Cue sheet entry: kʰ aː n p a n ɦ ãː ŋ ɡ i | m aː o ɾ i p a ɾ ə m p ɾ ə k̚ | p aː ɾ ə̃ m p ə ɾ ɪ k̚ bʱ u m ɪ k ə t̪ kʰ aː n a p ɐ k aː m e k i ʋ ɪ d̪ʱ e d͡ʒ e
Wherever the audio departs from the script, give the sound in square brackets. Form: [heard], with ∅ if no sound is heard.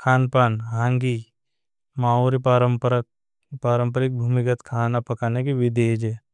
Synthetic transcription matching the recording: kʰ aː n p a n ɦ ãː ŋ ɡ i | m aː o ɾ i p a ɾ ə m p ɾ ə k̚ | p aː ɾ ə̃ m p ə ɾ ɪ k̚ bʱ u m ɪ k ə t̪ kʰ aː n a p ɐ k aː [n] e k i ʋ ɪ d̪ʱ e d͡ʒ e